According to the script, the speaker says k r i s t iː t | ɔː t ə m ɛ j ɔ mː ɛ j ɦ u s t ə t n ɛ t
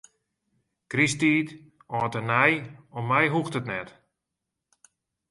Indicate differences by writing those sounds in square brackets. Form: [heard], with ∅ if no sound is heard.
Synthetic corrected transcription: k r i s t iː t | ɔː t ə [n] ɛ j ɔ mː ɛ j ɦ u [x] t ə t n ɛ t

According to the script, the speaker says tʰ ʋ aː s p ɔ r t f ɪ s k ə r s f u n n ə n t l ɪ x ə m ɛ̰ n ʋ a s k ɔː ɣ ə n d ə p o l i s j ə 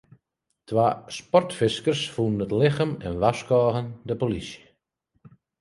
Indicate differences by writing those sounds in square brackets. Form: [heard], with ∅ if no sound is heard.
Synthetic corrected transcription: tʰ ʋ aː s p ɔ r t f ɪ s k ə r s f u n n ə [∅] t l ɪ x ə m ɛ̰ n ʋ a s k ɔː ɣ ə n d ə p o l i s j ə

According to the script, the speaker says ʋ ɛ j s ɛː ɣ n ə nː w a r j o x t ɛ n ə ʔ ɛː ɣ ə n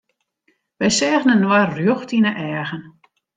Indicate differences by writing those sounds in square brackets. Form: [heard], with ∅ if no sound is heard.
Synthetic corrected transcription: ʋ ɛ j s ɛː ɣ n ə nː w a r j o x t [i] n ə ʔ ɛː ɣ ə n

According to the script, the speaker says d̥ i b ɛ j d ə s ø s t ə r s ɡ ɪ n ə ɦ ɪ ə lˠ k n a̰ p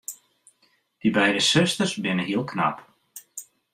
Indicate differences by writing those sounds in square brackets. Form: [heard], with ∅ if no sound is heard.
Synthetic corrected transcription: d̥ i b ɛ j d ə s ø s t ə r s [b] ɪ n ə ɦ [i] ə lˠ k n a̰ p

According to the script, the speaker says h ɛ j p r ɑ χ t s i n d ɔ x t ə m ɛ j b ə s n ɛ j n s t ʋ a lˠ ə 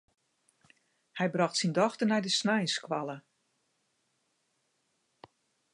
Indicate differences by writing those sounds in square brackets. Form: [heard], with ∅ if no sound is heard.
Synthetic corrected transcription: h ɛ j [b] r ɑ [x] t s i n d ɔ x t ə [n] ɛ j [d] ə s n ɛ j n s [k] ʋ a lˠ ə

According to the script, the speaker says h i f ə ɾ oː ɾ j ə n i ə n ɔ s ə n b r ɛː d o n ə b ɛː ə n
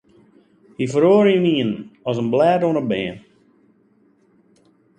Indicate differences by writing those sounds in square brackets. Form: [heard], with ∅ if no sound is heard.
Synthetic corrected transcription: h i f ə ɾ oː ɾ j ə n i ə n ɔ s ə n b [l] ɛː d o n ə b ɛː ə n

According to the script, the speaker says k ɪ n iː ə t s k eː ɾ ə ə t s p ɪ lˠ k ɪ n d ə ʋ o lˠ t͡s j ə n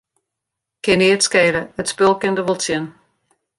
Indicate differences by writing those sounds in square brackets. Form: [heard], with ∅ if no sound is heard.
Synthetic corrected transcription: k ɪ n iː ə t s k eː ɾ ə ə t s p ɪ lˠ k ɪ n d ə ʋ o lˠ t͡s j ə n

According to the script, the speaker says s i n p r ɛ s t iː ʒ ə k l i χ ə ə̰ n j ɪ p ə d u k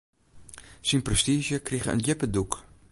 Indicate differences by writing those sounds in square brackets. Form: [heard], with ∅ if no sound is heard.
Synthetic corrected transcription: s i n p r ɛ s t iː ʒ ə k [r] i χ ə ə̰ n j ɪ p ə d u k

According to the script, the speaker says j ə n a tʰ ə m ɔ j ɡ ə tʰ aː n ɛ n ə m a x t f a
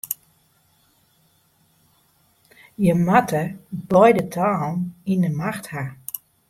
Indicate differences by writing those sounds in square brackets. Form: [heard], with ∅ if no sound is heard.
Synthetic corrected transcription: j ə [m] a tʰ ə [b] ɔ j [d] ə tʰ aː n [i] n ə m a x t [h] a

